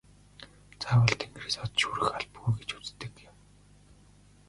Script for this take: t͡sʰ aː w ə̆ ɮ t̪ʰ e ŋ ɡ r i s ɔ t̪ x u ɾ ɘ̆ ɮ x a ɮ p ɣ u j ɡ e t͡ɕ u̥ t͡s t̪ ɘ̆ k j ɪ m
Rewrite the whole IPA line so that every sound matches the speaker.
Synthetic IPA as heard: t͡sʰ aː w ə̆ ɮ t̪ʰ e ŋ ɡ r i s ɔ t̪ ʃ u ɾ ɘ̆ x a ɮ p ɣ u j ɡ e t͡ɕ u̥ t͡s t̪ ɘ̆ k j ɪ m